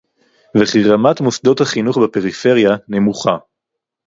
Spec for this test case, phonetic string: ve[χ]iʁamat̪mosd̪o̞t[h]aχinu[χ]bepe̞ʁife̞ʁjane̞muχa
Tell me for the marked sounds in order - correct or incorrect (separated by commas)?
correct, correct, correct